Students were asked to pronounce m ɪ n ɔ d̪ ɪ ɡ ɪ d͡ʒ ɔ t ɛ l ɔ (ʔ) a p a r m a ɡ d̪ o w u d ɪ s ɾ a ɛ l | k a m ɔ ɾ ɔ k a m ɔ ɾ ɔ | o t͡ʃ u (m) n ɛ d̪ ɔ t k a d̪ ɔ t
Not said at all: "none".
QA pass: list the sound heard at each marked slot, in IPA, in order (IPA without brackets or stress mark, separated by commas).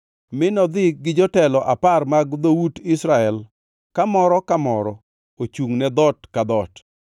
ʔ, ŋ